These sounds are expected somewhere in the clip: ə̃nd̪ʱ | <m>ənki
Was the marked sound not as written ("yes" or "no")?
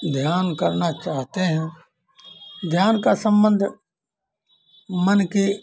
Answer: no